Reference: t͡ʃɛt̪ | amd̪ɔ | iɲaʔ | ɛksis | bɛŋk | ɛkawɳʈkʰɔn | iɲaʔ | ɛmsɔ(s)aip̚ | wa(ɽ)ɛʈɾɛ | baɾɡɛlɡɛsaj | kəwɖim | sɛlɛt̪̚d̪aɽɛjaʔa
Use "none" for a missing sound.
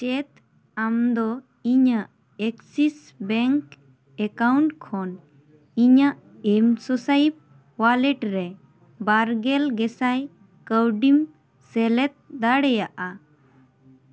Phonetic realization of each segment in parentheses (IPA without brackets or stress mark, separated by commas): s, l